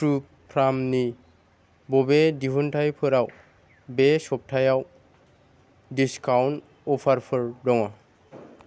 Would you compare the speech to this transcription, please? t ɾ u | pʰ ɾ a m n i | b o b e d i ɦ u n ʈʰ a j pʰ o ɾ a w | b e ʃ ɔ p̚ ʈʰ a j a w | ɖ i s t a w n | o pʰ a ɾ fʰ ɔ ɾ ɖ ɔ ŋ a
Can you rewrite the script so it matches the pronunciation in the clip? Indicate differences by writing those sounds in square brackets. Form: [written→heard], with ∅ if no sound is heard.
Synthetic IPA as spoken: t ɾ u | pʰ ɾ a m n i | b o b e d i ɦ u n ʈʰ a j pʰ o ɾ a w | b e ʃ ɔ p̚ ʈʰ a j a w | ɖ i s [t→k] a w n | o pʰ a ɾ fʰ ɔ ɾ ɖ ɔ ŋ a